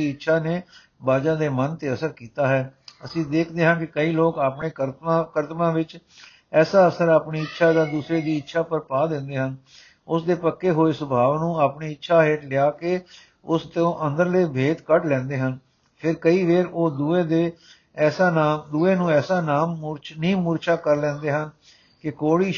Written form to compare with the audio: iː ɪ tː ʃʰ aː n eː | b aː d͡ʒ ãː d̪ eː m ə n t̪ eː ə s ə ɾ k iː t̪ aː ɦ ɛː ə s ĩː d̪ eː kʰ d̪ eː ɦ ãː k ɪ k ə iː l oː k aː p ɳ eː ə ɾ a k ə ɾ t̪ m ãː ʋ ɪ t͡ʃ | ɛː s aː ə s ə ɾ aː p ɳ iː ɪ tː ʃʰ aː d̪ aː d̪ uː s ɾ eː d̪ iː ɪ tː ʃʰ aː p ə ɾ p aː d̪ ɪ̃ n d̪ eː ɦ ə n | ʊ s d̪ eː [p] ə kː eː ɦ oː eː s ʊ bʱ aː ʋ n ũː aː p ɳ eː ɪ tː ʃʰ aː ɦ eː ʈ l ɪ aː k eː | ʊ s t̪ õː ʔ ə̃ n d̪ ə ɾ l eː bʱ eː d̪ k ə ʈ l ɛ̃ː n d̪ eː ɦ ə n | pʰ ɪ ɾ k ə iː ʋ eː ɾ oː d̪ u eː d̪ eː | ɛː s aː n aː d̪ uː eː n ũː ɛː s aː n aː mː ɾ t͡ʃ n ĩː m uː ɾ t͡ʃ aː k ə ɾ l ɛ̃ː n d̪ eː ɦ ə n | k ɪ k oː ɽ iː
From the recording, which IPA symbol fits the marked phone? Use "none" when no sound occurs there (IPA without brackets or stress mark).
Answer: p